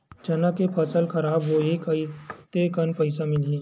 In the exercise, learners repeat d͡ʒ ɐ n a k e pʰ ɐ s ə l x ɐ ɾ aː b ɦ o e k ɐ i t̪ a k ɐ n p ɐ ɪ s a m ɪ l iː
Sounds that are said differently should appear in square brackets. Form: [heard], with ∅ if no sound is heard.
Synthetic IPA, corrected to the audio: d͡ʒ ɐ n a k e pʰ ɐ s ə l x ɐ ɾ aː b ɦ o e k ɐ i t̪ [e] k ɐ n p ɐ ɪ s a m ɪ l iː